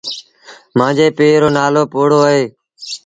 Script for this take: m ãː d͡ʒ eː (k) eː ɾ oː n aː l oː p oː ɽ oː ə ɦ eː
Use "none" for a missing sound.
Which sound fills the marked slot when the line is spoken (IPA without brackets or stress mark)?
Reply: p